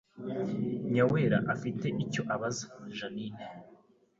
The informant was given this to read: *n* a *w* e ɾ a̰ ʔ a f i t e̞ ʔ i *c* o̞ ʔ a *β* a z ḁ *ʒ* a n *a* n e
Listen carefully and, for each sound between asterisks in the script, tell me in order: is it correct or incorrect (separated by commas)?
incorrect, correct, correct, correct, correct, incorrect